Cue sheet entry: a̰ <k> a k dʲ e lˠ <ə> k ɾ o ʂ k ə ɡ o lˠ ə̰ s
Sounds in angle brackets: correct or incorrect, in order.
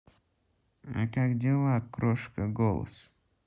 correct, incorrect: a

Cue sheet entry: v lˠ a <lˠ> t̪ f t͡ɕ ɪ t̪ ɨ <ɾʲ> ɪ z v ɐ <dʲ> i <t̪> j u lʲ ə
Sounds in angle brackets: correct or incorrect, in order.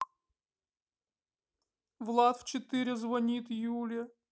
incorrect: none, correct, incorrect: nʲ, correct

